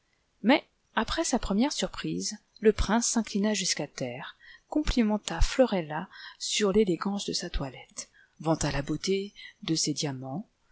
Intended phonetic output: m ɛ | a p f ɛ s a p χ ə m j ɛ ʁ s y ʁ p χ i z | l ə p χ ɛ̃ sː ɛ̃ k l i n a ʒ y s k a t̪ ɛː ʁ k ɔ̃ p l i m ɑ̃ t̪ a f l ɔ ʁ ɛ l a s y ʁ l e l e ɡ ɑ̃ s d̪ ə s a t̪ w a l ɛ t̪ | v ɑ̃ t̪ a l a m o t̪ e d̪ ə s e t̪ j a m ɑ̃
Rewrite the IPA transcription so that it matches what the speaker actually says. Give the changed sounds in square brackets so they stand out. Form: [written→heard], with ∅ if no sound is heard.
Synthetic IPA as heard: m ɛ | a p [f→χ] ɛ s a p χ ə m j ɛ ʁ s y ʁ p χ i z | l ə p χ ɛ̃ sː ɛ̃ k l i n a ʒ y s k a t̪ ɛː ʁ k ɔ̃ p l i m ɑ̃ t̪ a f l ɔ ʁ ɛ l a s y ʁ l e l e ɡ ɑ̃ s d̪ ə s a t̪ w a l ɛ t̪ | v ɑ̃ t̪ a l a [m→b] o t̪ e d̪ ə s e [t̪→d̪] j a m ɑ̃